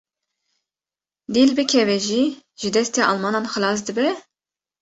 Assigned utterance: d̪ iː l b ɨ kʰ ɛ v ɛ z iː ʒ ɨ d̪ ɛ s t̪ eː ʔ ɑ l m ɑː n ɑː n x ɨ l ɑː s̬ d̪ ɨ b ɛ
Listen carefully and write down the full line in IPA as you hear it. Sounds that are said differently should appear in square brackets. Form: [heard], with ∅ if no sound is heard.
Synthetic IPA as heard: d̪ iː l b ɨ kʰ ɛ v ɛ [ʒ] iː ʒ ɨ d̪ ɛ s t̪ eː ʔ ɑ l m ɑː n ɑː n x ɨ l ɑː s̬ d̪ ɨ b ɛ